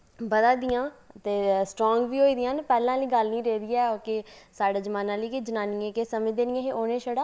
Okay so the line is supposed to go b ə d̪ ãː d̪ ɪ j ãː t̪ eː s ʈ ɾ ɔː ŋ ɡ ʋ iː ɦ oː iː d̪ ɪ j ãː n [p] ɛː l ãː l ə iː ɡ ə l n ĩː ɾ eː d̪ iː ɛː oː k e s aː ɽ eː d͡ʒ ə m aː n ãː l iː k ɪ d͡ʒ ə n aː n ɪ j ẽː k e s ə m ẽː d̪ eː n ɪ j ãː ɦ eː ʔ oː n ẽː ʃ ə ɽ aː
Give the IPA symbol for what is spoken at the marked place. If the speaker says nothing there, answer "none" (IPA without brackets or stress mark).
p